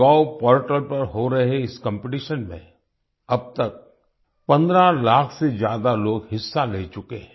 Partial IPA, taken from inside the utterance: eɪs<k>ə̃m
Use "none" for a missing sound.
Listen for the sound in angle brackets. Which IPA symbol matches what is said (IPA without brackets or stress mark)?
k